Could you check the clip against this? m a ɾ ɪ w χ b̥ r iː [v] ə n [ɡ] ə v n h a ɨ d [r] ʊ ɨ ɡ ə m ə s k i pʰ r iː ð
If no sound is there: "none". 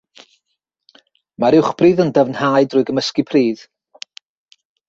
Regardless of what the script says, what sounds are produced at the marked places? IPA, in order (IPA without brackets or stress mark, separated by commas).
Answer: ð, d, r